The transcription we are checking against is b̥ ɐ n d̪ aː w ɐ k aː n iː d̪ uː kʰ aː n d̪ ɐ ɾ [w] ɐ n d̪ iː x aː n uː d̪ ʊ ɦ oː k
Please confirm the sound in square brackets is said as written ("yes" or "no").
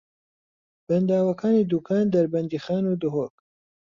no